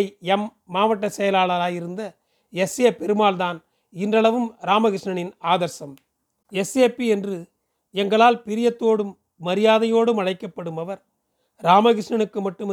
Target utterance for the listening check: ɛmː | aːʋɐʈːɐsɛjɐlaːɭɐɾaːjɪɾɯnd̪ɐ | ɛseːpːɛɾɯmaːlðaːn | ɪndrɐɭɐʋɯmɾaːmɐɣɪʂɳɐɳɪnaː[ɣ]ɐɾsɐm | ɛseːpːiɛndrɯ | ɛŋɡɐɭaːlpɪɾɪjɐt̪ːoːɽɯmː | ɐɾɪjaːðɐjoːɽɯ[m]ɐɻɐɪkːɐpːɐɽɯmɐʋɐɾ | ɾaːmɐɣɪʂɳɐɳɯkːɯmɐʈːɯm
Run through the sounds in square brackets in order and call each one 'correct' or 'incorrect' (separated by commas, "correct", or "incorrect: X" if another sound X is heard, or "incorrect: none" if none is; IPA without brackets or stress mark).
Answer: incorrect: ð, correct